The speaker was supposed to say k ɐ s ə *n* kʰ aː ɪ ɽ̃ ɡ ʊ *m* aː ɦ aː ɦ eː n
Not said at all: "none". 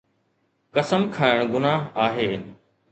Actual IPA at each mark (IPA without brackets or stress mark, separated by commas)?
m, n